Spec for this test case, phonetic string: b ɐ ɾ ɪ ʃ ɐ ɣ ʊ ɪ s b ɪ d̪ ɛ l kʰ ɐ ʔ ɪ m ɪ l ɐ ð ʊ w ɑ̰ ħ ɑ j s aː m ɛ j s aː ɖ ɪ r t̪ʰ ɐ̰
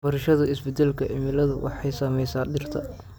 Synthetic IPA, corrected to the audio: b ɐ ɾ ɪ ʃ ɐ ð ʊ ɪ s b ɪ d̪ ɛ l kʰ ɐ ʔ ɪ m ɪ l ɐ ð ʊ w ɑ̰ ħ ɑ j s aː m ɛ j s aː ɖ ɪ r t̪ʰ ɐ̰